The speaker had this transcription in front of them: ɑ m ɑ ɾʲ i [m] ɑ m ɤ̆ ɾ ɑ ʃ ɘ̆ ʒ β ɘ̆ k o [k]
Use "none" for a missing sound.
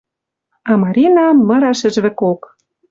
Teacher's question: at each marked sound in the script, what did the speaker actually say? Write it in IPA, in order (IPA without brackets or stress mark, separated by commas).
n, k